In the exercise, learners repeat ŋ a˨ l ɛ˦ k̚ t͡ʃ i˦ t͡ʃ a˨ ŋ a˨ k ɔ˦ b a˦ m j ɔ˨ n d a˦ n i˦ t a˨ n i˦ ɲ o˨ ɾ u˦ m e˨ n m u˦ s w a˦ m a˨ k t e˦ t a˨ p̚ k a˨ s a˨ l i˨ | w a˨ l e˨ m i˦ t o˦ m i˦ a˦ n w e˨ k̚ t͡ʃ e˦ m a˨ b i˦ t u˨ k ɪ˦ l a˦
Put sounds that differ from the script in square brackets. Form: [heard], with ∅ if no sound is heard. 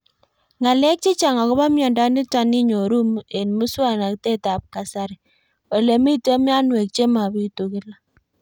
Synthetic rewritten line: ŋ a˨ l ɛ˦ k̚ t͡ʃ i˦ t͡ʃ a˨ ŋ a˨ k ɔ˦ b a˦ m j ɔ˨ n d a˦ n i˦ t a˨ n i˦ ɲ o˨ ɾ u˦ m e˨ n m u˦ s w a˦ [n] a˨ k t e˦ t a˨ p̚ k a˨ s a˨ [ɾ] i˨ | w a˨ l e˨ m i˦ t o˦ m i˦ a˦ n w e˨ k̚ t͡ʃ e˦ m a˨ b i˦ t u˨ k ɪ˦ l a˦